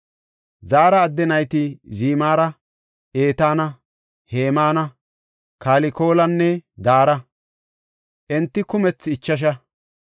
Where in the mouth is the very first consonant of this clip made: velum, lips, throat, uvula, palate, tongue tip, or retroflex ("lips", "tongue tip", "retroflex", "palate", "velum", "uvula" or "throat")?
tongue tip